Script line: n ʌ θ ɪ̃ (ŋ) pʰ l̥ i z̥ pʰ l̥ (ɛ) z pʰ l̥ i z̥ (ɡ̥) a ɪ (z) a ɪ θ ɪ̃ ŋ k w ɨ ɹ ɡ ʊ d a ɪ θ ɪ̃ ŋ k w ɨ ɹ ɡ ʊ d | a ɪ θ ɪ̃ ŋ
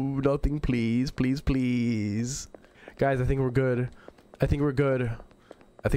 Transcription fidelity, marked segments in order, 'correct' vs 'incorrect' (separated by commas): correct, incorrect, correct, correct